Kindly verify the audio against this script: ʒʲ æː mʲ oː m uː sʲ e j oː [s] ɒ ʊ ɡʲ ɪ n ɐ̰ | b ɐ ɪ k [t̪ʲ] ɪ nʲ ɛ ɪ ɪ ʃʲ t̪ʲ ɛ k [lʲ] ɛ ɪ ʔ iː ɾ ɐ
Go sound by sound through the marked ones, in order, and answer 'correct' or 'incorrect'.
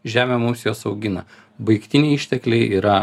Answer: correct, correct, correct

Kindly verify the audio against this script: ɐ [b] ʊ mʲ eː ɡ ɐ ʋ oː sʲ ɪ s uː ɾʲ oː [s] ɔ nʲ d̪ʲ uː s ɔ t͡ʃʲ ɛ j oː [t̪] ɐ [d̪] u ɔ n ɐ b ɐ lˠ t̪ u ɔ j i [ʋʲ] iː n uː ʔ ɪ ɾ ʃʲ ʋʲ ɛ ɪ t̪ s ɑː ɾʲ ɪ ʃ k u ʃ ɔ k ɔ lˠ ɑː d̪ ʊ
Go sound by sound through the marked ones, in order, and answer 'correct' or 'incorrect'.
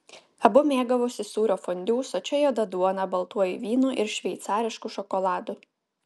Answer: correct, incorrect, incorrect, correct, correct

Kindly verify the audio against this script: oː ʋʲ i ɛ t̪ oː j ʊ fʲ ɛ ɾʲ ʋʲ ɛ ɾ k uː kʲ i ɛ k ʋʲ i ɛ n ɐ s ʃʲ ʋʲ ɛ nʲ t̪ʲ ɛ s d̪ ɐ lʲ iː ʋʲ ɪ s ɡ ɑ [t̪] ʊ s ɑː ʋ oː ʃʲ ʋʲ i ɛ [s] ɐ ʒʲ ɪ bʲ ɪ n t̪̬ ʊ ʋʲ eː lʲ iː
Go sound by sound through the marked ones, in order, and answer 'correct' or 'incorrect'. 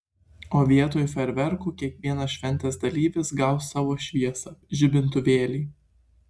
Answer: incorrect, correct

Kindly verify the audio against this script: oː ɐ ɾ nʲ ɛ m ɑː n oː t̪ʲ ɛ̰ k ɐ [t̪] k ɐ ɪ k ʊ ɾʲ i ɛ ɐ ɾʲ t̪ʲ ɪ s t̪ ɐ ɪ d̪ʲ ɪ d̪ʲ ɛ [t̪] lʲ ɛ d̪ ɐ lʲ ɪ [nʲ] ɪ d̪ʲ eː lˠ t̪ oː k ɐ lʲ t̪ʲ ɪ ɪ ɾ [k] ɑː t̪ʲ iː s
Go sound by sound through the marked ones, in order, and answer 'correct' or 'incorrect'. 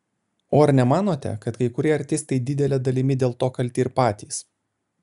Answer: correct, incorrect, incorrect, incorrect

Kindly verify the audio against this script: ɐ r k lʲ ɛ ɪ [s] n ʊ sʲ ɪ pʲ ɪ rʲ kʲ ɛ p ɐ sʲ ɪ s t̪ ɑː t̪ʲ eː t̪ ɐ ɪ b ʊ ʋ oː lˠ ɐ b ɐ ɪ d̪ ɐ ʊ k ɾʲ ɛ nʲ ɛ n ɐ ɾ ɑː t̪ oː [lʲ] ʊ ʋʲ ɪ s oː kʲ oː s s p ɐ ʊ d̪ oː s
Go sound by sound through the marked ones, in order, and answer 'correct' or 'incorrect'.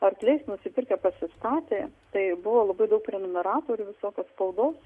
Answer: correct, incorrect

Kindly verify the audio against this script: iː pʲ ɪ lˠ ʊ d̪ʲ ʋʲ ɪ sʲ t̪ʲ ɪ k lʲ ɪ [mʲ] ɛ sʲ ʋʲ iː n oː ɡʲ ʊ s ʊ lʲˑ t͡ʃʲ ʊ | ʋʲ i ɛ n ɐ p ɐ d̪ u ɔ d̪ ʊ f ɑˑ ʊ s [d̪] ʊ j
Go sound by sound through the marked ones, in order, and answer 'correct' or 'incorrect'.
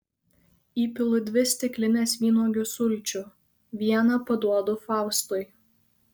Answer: incorrect, incorrect

